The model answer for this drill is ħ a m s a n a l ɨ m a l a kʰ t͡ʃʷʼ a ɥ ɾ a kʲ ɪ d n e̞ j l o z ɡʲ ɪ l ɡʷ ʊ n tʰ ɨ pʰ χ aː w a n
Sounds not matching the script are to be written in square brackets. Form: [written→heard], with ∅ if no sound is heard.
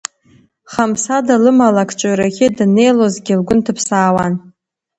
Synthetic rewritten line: [ħ→χ] a m s a [n→d] a l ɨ m a l a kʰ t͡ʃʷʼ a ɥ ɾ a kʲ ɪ d n e̞ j l o z ɡʲ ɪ l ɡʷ ʊ n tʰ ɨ pʰ [χ→s] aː w a n